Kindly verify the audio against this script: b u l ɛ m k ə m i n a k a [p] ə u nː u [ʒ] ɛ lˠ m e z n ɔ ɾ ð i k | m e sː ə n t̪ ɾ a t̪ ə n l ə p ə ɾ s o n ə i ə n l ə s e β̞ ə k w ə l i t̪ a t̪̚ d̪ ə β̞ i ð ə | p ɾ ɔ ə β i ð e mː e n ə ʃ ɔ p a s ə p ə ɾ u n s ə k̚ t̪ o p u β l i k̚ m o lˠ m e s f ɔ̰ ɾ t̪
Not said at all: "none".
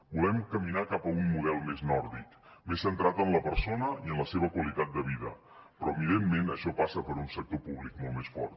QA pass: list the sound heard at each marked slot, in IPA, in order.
p, ð

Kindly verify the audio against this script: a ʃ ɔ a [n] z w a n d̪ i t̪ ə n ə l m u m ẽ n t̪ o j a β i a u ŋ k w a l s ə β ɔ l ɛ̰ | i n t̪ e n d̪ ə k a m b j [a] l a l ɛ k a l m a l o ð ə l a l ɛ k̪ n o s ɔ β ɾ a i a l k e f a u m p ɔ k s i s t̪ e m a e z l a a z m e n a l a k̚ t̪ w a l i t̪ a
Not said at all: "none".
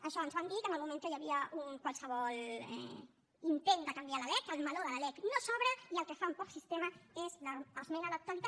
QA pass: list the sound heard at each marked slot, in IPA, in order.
n, a

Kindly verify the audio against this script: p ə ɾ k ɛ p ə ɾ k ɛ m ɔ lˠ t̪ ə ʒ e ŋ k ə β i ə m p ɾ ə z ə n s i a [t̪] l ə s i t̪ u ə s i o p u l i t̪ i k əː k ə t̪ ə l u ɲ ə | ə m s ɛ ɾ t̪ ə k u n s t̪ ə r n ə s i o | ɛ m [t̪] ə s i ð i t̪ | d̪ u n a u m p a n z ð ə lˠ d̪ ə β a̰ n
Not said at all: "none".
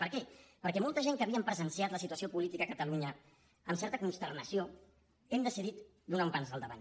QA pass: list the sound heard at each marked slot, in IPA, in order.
t̪, d̪

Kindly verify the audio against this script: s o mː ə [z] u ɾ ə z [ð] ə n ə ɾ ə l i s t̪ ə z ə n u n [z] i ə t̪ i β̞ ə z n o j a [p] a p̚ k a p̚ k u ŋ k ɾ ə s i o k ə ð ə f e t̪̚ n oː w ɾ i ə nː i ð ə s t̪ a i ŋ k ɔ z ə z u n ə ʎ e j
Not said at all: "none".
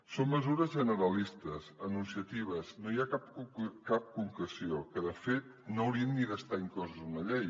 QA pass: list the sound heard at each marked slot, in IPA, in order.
z, ʒ, s, k

